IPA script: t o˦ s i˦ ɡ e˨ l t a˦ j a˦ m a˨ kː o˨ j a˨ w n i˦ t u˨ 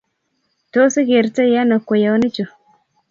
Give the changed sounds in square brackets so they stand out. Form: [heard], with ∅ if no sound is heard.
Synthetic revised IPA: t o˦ s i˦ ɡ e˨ [ɾ] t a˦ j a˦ [n] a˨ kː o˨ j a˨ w n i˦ [t͡ʃ] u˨